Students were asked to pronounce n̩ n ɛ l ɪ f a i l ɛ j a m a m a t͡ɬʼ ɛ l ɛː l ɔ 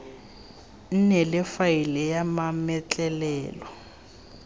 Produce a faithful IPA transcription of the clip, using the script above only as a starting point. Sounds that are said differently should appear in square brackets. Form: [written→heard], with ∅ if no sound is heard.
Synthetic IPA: n̩ n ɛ l ɪ f a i l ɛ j a m a m [a→ɛ] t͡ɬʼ ɛ l ɛː l ɔ